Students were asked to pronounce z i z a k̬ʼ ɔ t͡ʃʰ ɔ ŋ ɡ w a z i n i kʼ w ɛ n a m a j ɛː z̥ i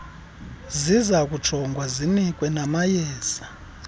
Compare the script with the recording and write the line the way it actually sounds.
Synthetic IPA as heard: z i z a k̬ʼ u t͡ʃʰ ɔ ŋ ɡ w a z i n i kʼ w ɛ n a m a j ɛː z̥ a